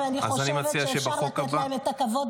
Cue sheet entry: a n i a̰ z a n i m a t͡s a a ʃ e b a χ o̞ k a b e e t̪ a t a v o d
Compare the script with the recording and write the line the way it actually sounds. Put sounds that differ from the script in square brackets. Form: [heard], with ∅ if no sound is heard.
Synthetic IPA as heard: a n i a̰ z a n i m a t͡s [i] a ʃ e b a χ o̞ k a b [a] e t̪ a [k] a v o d